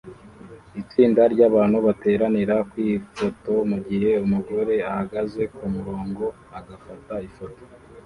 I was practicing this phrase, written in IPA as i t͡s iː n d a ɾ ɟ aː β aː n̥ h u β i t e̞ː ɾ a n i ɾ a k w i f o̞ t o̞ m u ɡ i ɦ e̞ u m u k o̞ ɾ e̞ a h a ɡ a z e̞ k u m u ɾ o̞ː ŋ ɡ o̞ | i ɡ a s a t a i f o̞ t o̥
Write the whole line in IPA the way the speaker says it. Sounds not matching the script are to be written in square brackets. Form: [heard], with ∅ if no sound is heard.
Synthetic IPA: i t͡s iː n d a ɾ ɟ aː β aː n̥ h u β [a] t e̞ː ɾ a n i ɾ a k w i f o̞ t o̞ m u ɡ i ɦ e̞ u m u [ɡ] o̞ ɾ e̞ a h a ɡ a z e̞ k u m u ɾ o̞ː ŋ ɡ o̞ | [a] ɡ a [f] a t a i f o̞ t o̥